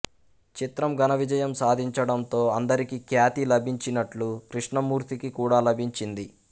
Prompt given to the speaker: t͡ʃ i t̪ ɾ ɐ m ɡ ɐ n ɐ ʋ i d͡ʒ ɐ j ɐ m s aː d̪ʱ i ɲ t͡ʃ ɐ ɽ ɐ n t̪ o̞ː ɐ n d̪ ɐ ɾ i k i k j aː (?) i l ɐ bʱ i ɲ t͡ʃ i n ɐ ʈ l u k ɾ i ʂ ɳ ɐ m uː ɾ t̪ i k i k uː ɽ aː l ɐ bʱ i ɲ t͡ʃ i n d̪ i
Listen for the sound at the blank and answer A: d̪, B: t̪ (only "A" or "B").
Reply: B